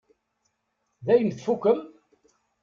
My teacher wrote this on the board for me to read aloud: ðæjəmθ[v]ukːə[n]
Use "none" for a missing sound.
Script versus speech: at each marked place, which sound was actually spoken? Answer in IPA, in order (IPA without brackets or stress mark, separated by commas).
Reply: f, m